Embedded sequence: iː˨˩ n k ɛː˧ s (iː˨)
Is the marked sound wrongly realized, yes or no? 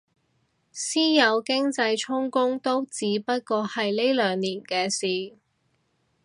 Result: no